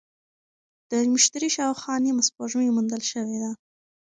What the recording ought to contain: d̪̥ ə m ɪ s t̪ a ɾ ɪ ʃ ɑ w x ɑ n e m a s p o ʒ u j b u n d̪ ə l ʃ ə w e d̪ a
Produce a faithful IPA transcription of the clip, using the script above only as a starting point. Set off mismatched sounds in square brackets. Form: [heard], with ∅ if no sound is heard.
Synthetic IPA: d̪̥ ə m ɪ [ʃ] t̪ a ɾ [i] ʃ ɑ w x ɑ n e m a s p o ʒ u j [m] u n d̪ ə l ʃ ə w e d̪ a

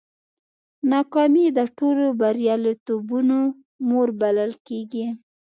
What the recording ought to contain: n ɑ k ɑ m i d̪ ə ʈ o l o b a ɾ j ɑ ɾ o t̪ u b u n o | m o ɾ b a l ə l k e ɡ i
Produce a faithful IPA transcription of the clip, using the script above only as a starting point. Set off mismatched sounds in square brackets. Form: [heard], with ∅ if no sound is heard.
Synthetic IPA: n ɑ k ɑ m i d̪ ə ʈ o l o b a ɾ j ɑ [l] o t̪ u b u n o | m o ɾ b a l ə l k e ɡ i

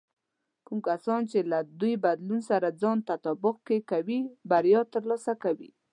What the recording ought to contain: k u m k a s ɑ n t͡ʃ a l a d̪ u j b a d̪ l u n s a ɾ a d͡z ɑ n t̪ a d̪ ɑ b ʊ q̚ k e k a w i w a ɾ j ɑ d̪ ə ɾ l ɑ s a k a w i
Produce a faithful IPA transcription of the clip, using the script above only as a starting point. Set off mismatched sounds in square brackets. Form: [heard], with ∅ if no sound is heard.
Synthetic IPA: k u m k a s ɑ n t͡ʃ [e] l a d̪ u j b a d̪ l u n s a ɾ a d͡z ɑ n t̪ a [t̪] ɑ b ʊ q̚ k e k a w i [b] a ɾ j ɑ [t̪] ə ɾ l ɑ s a k a w i

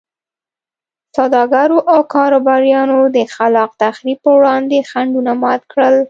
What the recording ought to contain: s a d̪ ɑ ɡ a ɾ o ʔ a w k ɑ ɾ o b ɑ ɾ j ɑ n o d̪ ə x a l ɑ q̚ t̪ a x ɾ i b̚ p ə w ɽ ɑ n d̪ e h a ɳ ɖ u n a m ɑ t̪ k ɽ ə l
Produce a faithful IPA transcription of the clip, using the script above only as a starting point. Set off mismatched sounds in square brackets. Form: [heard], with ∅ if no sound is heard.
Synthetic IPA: s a d̪ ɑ ɡ a ɾ o ʔ a w k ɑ ɾ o b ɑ ɾ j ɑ n o d̪ ə x a l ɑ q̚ t̪ a x ɾ i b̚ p ə w ɽ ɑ n d̪ e [x] a ɳ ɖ u n a m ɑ t̪ k ɽ ə l

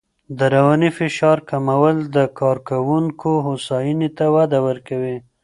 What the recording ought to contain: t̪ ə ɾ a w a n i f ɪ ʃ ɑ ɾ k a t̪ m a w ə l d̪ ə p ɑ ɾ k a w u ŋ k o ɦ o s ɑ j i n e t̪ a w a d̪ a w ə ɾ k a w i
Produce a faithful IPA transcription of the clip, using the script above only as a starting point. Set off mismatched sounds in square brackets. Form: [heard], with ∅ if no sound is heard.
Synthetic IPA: [d̪] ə ɾ a w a n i f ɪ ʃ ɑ ɾ k a [∅] m a w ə l d̪ ə [k] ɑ ɾ k a w u ŋ k o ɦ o s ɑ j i n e t̪ a w a d̪ a w ə ɾ k a w i

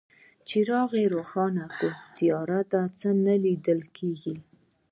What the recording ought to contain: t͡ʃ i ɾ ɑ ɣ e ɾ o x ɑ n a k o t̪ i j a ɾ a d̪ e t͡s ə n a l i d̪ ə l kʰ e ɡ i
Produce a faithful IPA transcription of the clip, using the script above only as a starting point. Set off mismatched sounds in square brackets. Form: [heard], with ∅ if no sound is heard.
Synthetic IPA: t͡ʃ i ɾ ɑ ɣ e ɾ o x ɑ n a k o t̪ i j [ɑ] ɾ a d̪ [a] t͡s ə n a l i d̪ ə l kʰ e ɡ i

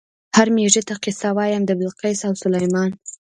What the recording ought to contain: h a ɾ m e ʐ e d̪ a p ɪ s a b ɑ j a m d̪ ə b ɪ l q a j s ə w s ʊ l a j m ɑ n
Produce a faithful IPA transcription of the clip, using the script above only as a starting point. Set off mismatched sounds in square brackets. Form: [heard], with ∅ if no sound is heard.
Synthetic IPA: h a ɾ m e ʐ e [t̪] a [q] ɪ s a [w] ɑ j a m d̪ ə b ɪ l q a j s [a] w s ʊ l a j m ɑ n

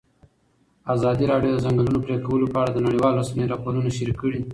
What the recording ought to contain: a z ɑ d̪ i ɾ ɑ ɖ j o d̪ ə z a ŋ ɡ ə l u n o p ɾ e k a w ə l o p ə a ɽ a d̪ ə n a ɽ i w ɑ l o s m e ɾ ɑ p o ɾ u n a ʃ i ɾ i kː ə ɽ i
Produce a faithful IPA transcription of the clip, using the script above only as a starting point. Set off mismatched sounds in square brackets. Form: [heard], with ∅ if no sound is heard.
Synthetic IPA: a z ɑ d̪ i ɾ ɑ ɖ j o d̪ ə z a ŋ ɡ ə l u n o p ɾ e k a w ə l o p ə a ɽ a d̪ ə n a ɽ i w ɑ l o s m e ɾ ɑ p o ɾ u n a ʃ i ɾ i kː ə ɽ i

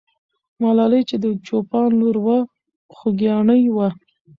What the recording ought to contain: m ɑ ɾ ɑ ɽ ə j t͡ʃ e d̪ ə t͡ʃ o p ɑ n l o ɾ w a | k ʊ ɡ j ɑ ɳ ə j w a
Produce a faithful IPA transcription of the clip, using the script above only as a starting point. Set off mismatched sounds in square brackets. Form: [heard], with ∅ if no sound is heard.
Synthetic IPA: m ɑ [l] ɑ [l] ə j t͡ʃ e d̪ ə t͡ʃ o p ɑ n l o ɾ w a | [x] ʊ ɡ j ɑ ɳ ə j w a

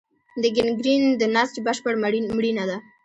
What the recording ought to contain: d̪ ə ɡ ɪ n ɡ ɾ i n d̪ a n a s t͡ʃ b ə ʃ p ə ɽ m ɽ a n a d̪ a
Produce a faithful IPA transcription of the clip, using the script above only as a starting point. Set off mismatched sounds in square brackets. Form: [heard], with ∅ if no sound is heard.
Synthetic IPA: d̪ ə ɡ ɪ n ɡ ɾ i n d̪ [ə] n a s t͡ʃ b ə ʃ p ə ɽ m ɽ [i] n a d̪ a

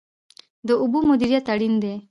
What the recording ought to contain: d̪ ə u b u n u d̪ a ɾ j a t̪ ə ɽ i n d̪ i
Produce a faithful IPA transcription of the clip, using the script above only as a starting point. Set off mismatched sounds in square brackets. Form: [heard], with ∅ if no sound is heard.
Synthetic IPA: d̪ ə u b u [m] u d̪ [i] ɾ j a t̪ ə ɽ i n d̪ [e]

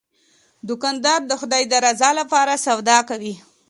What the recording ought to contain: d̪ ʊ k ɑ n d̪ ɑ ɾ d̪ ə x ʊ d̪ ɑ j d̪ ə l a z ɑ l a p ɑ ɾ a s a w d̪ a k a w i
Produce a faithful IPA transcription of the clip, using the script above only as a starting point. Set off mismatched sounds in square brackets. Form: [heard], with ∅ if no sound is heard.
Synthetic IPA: d̪ ʊ k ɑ n d̪ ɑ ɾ d̪ ə x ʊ d̪ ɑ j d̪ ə [ɾ] a z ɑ l a p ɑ ɾ a s a w d̪ [ɑ] k a w i

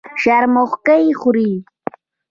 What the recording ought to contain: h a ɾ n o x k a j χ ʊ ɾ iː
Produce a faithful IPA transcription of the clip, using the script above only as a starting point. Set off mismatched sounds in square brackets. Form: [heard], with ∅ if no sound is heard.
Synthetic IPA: [ʃ] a ɾ [m] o [χ] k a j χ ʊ ɾ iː

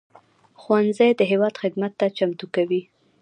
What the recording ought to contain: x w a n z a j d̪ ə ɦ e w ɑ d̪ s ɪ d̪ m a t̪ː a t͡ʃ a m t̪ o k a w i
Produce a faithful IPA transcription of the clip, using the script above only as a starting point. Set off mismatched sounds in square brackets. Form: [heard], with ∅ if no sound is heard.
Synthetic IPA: x w a n z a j d̪ ə ɦ e w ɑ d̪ [x] ɪ d̪ m a t̪ː a t͡ʃ a m t̪ [u] k a w i

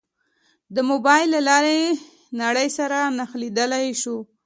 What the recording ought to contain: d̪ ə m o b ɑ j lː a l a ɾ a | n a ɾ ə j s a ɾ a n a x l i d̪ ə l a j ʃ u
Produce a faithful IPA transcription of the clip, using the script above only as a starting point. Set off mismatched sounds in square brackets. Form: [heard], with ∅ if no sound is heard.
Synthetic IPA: d̪ ə m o b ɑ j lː a l [ɑ] ɾ [e] | n a [ɽ] ə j s a ɾ a n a x l i d̪ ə l a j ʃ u

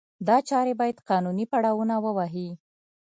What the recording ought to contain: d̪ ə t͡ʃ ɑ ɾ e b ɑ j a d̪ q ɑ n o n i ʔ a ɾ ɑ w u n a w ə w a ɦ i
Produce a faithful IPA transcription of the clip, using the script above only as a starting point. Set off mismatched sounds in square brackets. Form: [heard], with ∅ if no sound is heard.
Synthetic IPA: d̪ [ɑ] t͡ʃ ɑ ɾ e b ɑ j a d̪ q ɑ n [u] n i [p] a [ɽ] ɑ w u n a w ə w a ɦ i

